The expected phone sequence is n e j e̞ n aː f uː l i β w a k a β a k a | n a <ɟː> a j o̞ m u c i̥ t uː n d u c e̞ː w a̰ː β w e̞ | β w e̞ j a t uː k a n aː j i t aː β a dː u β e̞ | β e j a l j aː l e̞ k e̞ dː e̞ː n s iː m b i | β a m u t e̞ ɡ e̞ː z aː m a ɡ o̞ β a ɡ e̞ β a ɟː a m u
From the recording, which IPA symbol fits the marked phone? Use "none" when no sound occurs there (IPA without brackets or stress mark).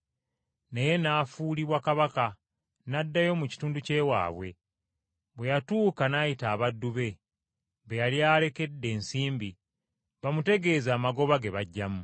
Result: dː